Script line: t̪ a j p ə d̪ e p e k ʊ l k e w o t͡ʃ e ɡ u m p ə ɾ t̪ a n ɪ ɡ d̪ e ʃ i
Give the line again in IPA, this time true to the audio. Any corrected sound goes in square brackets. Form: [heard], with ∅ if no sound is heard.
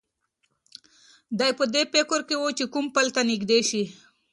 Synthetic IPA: [d̪] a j p ə d̪ e p e k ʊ [ɾ] k e w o t͡ʃ e [k] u m p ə [l] t̪ a n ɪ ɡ d̪ e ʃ i

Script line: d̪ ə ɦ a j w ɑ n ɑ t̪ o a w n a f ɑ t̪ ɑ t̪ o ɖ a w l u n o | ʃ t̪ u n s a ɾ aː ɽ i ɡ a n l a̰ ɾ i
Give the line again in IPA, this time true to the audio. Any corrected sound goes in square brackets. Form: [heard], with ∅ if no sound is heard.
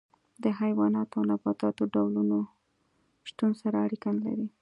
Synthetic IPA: d̪ ə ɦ a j w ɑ n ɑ t̪ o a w n a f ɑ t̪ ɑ t̪ o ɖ a w l u n o | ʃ t̪ u n s a ɾ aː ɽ i [k] a n l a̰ ɾ i

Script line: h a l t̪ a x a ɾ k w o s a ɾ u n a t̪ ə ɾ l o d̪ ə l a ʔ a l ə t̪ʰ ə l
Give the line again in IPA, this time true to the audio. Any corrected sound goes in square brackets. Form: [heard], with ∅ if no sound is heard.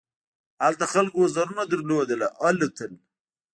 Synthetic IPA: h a l t̪ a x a [l] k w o [z] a ɾ u n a [d̪] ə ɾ l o d̪ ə l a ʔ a l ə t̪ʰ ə l

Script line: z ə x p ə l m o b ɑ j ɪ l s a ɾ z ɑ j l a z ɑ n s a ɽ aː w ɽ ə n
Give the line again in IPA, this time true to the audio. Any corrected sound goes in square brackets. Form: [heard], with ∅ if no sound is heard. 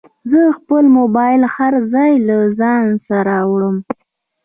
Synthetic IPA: z ə x p ə l m o b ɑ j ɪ l [h] a ɾ z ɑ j l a z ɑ n s a [ɾ] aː w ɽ ə [m]

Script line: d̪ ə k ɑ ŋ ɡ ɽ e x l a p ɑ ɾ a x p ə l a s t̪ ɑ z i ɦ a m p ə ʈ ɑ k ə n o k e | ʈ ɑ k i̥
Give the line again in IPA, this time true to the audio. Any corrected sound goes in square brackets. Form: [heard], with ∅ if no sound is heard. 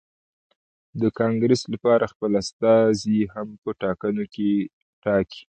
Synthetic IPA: d̪ ə k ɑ ŋ ɡ [ɾ] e [s] l a p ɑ ɾ a x p ə l a s t̪ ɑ z i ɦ a m p ə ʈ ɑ k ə n o k e | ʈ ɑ k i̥

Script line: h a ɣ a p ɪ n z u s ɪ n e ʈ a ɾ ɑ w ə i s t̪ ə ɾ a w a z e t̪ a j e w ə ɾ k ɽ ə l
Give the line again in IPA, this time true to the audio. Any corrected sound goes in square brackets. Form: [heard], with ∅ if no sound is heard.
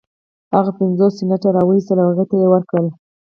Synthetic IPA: h a ɣ a p ɪ n z [o] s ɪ n [a] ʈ a ɾ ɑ w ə i s t̪ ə [l] a w a [ɣ] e t̪ a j e w ə ɾ k ɽ ə l

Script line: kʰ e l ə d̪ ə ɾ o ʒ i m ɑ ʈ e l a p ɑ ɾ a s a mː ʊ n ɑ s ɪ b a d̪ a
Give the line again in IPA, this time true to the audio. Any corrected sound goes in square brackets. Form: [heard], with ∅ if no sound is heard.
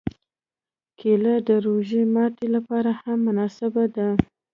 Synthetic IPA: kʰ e l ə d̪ ə ɾ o ʒ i m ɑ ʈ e l a p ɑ ɾ a [h] a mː ʊ n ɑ s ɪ b a d̪ a

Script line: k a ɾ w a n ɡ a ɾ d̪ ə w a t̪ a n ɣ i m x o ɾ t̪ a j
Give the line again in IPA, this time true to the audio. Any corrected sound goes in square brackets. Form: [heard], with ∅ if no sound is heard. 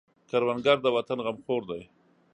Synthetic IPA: k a ɾ w a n ɡ a ɾ d̪ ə w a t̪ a n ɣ [a] m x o ɾ [d̪] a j

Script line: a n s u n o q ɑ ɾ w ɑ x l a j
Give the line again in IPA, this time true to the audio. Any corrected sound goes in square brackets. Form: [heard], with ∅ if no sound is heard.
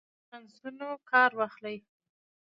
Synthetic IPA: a n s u n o [k] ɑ ɾ w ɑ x l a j

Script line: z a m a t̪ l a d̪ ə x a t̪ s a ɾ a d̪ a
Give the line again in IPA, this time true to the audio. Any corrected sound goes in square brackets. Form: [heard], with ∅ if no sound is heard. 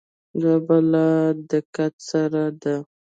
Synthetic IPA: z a [b] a [∅] l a d̪ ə [k] a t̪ s a ɾ a d̪ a

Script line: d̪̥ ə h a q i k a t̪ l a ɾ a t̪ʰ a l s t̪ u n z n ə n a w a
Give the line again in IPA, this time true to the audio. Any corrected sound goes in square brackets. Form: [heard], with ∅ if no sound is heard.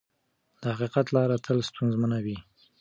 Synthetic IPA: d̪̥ ə h a q i [q] a t̪ l [ɑ] ɾ a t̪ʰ [ə] l s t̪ u n z [m] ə n a w [i]

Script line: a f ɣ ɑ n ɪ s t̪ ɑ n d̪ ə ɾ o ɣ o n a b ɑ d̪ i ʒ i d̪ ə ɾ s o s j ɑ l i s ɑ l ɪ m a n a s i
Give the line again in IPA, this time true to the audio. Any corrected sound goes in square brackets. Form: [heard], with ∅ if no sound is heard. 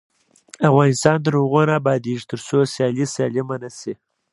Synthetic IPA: a f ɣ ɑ n ɪ s t̪ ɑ n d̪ ə ɾ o ɣ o n a b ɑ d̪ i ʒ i [t̪] ə ɾ s o s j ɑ l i s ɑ l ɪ m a n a s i

